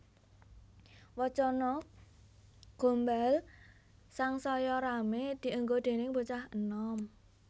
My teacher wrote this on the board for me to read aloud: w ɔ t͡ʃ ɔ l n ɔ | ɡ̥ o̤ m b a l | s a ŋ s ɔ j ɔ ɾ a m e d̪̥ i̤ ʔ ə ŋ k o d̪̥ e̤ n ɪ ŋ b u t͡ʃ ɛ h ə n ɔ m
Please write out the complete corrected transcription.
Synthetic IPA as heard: w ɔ t͡ʃ ɔ n ɔ | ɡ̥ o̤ m b a l | s a ŋ s ɔ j ɔ ɾ a m e d̪̥ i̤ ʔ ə ŋ ɡ o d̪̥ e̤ n ɪ ŋ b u t͡ʃ a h ə n ɔ m